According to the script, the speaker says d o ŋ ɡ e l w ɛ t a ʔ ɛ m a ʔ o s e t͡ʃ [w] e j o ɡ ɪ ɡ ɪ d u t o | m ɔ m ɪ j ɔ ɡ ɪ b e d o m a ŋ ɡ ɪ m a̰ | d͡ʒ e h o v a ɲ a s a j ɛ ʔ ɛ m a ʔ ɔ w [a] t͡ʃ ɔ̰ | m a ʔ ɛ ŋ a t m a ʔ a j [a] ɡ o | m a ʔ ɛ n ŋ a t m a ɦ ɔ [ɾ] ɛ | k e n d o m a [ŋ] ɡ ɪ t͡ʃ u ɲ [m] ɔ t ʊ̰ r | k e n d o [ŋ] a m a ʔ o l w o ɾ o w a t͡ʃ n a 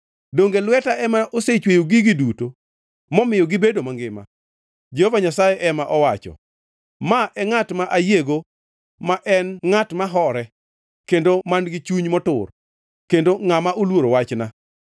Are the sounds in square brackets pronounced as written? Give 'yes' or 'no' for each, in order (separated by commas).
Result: yes, yes, no, yes, no, yes, yes